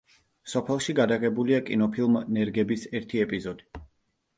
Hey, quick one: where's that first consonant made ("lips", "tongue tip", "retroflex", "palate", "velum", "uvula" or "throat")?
tongue tip